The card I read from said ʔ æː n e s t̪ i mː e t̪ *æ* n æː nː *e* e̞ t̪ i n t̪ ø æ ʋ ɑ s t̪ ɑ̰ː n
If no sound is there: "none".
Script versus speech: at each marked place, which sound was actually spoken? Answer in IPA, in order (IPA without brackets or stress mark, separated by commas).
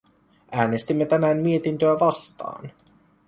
æ, i